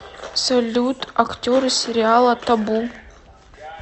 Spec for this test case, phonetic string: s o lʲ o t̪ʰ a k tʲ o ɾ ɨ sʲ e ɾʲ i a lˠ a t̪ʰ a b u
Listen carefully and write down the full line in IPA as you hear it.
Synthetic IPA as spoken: s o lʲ u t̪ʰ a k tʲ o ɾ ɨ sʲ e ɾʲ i a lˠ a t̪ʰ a b u